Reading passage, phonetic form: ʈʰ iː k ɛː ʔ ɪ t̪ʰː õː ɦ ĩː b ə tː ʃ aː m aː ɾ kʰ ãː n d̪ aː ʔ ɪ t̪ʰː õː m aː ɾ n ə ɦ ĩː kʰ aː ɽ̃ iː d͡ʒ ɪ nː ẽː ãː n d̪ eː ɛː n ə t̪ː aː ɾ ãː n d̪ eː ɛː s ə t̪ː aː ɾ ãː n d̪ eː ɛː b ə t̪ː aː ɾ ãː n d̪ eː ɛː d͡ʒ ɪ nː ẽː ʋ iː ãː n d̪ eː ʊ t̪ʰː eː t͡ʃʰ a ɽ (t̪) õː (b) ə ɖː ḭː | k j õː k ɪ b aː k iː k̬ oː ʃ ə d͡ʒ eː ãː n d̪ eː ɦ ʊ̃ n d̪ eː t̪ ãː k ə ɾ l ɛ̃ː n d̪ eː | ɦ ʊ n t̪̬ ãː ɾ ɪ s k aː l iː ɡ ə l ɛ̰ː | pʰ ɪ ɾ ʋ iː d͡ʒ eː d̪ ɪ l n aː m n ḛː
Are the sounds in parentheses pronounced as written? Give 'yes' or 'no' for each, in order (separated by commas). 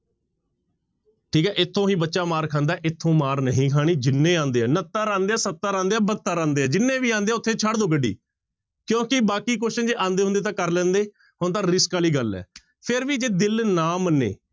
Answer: no, no